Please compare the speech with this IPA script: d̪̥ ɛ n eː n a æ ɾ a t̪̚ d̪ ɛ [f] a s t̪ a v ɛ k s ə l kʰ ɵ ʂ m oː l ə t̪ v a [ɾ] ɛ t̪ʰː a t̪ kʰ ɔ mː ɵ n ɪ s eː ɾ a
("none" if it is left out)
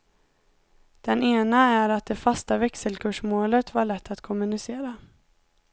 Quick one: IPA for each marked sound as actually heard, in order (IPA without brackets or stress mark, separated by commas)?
f, ɭ